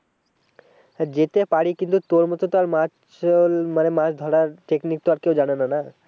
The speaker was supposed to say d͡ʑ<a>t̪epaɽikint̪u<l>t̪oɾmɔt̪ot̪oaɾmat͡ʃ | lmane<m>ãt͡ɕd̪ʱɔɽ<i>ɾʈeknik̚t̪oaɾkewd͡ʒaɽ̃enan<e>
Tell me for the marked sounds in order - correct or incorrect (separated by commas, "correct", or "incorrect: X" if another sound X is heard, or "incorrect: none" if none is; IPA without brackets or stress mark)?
incorrect: e, incorrect: none, correct, incorrect: a, incorrect: a